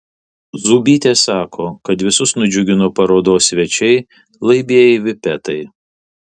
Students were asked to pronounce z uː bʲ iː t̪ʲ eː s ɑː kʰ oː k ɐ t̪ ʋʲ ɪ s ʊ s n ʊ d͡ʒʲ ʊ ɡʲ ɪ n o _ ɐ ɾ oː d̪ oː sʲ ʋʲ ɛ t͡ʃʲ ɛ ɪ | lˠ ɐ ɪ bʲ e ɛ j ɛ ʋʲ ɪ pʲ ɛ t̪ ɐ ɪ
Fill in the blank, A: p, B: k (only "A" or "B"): A